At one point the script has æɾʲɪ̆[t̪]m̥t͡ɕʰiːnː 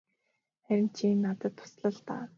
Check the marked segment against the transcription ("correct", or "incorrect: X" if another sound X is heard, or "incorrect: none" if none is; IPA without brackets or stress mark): incorrect: none